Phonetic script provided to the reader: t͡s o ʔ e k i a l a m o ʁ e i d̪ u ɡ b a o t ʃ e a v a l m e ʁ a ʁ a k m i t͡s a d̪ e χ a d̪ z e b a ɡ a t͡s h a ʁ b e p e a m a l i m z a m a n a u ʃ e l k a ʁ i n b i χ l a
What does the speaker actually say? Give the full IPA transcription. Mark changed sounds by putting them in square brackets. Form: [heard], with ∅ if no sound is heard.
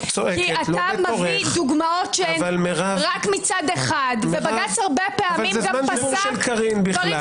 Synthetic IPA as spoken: t͡s o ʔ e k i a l a m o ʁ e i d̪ u ɡ [m] a o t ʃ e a v a l m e ʁ a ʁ a k m i t͡s a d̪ e χ a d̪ [v] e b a ɡ a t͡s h a ʁ b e p e a m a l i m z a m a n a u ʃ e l k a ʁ i n b i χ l a